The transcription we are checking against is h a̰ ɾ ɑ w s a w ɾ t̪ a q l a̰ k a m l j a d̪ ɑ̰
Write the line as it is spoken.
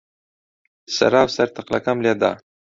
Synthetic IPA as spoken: s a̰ ɾ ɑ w s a ɾ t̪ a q l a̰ k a m l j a d̪ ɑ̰